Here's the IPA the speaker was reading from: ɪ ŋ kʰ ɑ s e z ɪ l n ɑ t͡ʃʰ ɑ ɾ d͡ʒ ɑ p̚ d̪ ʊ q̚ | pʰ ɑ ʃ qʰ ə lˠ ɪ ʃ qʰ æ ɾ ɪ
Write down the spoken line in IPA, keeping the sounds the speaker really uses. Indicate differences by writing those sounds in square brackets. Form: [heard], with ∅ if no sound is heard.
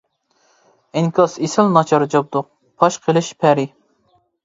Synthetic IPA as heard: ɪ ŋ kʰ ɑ s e [s] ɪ l n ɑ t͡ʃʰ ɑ ɾ d͡ʒ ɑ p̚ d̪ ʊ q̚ | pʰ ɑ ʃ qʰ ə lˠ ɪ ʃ [pʰ] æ ɾ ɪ